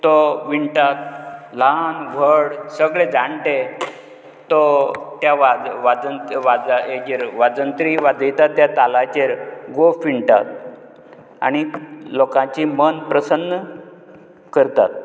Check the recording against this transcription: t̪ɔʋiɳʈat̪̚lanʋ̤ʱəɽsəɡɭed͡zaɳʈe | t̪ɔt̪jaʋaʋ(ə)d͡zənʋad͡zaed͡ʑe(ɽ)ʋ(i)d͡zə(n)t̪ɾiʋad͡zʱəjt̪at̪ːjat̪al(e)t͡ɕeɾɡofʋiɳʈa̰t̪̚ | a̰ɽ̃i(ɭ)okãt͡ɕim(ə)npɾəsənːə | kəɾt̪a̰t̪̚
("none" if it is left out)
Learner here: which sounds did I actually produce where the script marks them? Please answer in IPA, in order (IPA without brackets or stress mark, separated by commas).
a, ɾ, a, n, a, l, ə